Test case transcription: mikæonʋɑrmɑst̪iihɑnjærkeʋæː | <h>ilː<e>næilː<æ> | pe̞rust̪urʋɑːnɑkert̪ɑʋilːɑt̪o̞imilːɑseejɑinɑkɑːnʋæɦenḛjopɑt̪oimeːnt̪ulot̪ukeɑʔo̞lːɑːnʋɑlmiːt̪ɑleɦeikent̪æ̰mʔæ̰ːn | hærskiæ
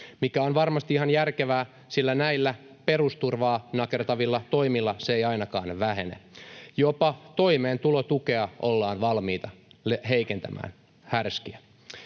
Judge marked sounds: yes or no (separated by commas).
no, no, yes